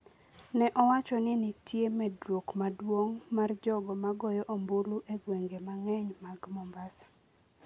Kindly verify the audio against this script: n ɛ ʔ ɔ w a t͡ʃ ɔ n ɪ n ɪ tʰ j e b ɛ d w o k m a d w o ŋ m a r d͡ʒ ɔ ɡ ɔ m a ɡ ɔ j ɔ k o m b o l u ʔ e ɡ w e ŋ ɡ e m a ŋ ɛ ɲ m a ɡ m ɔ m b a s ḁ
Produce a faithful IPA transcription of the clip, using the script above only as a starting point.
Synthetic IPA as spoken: n ɛ ʔ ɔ w a t͡ʃ ɔ n ɪ n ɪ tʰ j e m ɛ d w o k m a d w o ŋ m a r d͡ʒ ɔ ɡ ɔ m a ɡ ɔ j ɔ ʔ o m b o l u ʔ e ɡ w e ŋ ɡ e m a ŋ ɛ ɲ m a ɡ m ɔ m b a s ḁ